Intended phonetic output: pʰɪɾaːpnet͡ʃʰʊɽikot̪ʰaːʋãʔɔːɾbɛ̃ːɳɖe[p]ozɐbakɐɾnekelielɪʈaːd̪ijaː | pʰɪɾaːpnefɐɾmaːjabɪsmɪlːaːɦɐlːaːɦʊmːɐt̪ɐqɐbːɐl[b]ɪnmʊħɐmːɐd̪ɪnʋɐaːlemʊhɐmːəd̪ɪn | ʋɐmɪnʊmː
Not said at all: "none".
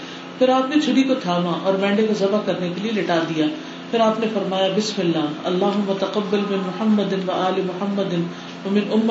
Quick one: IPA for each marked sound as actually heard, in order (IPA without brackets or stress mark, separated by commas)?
k, m